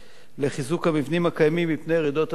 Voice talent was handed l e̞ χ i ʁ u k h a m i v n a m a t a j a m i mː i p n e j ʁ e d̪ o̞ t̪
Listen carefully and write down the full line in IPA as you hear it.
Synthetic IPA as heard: l e̞ χ i z u k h a m i v n i m a k a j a m i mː i p n e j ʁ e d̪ o̞ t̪